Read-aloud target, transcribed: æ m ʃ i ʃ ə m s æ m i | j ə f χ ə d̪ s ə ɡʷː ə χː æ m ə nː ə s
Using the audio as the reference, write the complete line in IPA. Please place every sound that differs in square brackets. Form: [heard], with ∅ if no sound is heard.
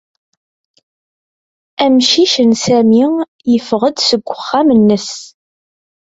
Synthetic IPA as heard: æ m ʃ i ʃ ə [n] s æ m i | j ə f [ʁ] ə d̪ s ə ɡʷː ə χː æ m ə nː ə s